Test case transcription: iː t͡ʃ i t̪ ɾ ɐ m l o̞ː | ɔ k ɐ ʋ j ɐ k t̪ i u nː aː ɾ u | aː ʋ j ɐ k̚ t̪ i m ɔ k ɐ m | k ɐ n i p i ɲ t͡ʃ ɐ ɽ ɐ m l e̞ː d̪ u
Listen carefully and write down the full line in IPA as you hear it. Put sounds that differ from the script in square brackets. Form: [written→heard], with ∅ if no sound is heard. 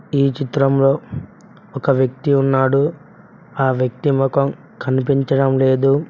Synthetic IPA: iː t͡ʃ i t̪ ɾ ɐ m l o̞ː | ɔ k ɐ ʋ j ɐ k t̪ i u nː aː [ɾ→ɽ] u | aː ʋ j ɐ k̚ t̪ i m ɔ k ɐ m | k ɐ n i p i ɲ t͡ʃ ɐ ɽ ɐ m l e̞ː d̪ u